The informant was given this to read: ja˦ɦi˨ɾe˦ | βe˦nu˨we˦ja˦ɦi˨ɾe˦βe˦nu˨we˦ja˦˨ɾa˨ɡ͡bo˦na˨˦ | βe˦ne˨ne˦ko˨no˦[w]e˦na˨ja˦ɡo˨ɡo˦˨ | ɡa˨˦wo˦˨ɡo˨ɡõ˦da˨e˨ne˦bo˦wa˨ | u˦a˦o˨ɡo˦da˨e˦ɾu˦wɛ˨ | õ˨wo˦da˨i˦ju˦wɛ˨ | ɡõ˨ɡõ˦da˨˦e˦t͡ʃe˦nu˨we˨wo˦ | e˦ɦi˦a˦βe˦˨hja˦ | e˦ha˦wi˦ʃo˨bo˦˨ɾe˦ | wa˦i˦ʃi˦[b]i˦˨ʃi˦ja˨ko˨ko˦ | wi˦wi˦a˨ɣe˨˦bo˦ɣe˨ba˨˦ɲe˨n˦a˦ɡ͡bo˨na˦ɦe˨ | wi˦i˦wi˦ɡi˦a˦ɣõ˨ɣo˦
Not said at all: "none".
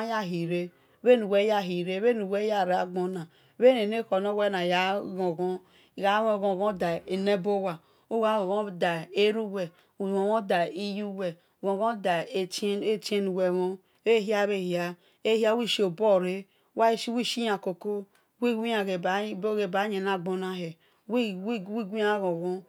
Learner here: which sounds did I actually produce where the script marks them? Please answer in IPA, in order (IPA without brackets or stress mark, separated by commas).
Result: w, w